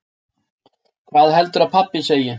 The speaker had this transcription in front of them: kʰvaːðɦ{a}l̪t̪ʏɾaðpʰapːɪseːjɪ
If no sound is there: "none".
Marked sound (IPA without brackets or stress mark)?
ɛ